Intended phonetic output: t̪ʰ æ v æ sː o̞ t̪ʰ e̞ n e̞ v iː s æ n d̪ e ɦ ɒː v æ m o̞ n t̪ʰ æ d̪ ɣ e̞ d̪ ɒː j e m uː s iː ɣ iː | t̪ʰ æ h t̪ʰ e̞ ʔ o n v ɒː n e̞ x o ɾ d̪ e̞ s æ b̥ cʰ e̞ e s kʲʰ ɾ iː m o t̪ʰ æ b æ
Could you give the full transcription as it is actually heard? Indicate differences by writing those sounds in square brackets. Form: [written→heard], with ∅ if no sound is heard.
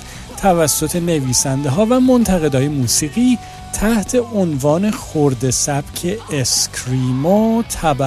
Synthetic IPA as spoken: t̪ʰ æ v æ sː o̞ t̪ʰ e̞ n e̞ v iː s æ n d̪ e ɦ ɒː v æ m o̞ n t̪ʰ æ [d̪→∅] ɣ e̞ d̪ ɒː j e m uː s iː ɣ iː | t̪ʰ æ h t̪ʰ e̞ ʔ o n v ɒː n e̞ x o ɾ d̪ e̞ s æ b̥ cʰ e̞ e s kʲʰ ɾ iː m o t̪ʰ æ b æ